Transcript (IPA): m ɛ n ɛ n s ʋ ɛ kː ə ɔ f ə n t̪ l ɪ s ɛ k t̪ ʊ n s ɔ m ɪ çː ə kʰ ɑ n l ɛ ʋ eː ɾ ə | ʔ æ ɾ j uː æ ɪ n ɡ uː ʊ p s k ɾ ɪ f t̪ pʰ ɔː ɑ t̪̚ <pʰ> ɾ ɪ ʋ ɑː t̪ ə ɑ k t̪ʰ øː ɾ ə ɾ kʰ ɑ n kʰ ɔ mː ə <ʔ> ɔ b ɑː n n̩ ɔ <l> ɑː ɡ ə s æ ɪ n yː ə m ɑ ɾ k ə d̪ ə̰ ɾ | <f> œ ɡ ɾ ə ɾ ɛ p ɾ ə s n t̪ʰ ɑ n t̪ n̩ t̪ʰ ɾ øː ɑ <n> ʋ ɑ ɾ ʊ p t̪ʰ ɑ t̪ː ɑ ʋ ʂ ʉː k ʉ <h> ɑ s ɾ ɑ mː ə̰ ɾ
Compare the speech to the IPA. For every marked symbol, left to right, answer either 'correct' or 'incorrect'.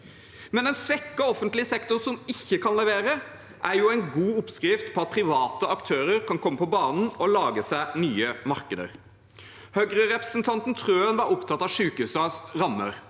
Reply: correct, incorrect: p, correct, incorrect: h, correct, incorrect: s

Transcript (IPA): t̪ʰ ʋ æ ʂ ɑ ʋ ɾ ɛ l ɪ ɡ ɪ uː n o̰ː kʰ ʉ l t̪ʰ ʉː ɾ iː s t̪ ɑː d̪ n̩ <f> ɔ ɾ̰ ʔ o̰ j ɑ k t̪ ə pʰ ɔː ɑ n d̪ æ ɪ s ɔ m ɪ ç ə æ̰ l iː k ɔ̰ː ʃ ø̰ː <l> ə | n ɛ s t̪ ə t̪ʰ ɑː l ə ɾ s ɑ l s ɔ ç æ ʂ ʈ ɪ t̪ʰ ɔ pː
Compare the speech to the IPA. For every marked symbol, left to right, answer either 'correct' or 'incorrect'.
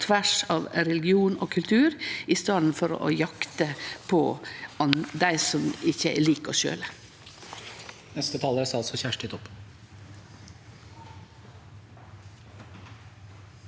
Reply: correct, correct

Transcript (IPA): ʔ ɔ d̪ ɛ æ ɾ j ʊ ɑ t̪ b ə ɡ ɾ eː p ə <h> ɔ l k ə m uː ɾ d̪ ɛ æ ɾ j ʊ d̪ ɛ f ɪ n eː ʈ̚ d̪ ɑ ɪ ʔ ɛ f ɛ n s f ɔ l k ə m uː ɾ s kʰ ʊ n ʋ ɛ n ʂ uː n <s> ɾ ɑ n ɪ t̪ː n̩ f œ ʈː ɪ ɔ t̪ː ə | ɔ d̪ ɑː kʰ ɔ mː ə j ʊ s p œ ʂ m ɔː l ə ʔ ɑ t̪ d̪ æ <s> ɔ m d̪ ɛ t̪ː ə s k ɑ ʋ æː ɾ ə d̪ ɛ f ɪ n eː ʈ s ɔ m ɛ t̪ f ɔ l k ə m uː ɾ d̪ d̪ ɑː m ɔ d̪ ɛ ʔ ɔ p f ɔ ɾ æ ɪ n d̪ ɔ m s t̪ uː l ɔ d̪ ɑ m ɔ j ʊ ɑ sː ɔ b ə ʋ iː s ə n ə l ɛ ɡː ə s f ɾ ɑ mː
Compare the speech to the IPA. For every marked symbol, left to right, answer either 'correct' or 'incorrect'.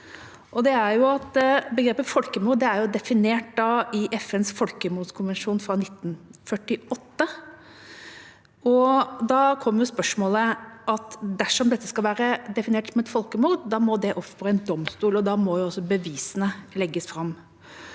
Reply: incorrect: f, incorrect: f, incorrect: ʂ

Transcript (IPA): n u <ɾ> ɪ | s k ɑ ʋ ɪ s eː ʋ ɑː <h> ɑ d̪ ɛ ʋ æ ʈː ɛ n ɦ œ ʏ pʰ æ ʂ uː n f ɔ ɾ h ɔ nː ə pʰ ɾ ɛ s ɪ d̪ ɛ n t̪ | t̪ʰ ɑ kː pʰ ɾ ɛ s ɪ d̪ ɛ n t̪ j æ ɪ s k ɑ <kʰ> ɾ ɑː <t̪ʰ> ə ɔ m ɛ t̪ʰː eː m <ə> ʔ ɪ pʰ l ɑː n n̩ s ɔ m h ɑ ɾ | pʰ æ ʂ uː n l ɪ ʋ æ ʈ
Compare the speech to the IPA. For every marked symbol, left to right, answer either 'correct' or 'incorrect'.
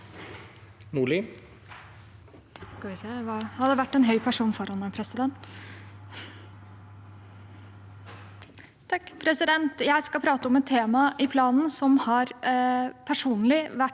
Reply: incorrect: ɭ, correct, incorrect: pʰ, incorrect: t̪, incorrect: ɑ

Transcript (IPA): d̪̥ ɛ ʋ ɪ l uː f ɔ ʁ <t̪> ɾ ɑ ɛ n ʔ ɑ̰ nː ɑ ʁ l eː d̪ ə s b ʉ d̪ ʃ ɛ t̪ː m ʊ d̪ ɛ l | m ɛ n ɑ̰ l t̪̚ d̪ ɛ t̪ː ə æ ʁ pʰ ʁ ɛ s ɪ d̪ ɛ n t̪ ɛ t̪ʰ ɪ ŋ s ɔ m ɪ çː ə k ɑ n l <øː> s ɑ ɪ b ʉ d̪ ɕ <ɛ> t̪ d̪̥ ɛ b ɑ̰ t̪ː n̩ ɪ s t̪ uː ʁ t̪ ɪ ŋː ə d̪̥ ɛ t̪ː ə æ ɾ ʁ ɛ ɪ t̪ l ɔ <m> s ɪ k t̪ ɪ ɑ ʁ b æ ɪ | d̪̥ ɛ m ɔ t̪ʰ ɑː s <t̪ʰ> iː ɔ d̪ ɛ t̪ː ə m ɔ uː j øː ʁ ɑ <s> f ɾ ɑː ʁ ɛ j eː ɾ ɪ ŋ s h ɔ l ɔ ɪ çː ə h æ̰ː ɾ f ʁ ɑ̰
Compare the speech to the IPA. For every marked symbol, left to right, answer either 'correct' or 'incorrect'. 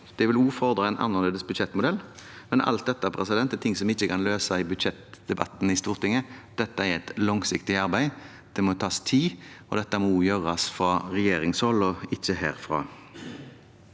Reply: incorrect: d̪, correct, correct, incorrect: ŋ, correct, correct

